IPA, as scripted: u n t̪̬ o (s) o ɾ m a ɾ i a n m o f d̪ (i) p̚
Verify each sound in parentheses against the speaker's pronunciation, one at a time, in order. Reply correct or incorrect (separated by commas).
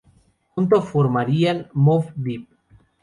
incorrect, correct